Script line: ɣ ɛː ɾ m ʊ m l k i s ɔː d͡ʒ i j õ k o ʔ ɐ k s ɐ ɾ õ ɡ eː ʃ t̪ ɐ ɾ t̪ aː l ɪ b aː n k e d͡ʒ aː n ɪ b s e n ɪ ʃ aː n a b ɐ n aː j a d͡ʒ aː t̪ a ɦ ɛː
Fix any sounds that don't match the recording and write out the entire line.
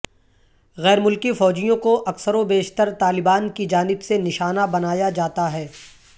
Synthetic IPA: ɣ ɛː ɾ m ʊ l k i f ɔː d͡ʒ i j õ k o ʔ ɐ k s ə ɾ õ b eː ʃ t̪ ə ɾ t̪ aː l ɪ b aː n k i d͡ʒ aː n ɪ b s e n ɪ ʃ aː n a b ɐ n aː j a d͡ʒ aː t̪ a ɦ ɛː